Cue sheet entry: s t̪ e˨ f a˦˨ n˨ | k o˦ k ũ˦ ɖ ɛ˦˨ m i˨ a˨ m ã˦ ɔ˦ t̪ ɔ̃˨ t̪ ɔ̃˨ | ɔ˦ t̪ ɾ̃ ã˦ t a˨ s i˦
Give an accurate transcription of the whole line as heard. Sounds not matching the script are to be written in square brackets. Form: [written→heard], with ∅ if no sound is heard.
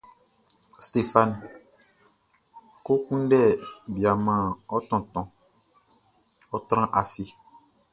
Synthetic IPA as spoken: s t̪ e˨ f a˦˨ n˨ | k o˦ k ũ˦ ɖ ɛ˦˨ [m→b] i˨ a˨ m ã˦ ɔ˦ t̪ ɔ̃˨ t̪ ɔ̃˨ | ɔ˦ t̪ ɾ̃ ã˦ [t→ʔ] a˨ s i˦